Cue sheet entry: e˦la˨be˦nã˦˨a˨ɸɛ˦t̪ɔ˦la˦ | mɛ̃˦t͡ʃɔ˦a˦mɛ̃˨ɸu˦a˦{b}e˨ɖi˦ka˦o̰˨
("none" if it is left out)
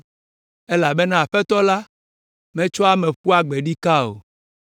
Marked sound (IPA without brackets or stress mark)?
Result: ɡ͡b